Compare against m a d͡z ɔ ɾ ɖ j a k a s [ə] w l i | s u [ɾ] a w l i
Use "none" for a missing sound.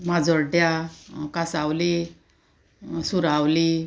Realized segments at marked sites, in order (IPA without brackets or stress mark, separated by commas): a, ɾ